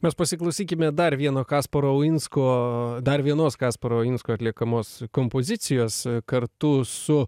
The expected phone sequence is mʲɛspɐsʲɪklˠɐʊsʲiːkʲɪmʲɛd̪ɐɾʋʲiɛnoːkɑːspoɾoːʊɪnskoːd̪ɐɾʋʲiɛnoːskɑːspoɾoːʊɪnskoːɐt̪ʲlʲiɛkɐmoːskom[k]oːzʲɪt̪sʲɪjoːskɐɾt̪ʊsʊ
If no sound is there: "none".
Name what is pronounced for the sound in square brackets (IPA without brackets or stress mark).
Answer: p